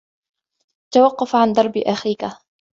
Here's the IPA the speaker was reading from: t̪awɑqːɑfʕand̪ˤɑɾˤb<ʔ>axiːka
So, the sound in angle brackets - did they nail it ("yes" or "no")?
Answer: yes